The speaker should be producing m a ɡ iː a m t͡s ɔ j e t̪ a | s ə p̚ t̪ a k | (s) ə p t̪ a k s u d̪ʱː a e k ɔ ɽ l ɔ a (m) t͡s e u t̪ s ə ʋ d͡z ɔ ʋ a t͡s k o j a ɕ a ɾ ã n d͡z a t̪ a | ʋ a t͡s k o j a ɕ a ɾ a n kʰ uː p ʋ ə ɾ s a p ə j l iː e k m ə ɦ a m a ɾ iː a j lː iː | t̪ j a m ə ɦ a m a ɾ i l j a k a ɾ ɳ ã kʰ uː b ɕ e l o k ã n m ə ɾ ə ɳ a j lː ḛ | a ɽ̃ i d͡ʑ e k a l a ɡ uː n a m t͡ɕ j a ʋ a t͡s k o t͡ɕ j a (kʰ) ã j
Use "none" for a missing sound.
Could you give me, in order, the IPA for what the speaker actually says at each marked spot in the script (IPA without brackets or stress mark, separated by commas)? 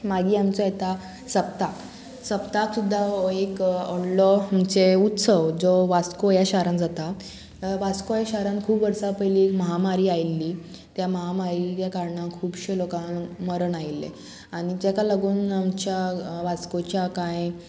s, m, k